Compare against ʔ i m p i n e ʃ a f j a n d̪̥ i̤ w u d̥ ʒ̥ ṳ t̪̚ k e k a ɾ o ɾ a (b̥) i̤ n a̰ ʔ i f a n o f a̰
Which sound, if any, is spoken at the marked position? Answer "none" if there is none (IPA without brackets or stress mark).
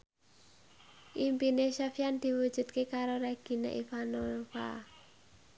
ɡ̥